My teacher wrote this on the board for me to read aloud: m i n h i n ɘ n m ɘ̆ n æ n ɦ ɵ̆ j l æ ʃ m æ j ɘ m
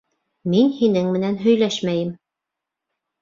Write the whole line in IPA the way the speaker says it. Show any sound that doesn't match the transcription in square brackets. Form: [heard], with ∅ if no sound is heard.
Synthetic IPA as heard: m i n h i n ɘ [ŋ] m ɘ̆ n æ n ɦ ɵ̆ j l æ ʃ m æ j ɘ m